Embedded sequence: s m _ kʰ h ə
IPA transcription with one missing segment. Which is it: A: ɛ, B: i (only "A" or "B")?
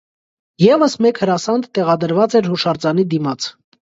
A